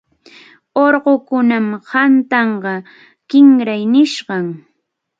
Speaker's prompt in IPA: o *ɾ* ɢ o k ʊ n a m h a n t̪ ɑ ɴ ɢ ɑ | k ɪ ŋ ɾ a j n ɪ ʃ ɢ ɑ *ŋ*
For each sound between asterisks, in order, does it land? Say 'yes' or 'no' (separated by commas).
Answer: yes, yes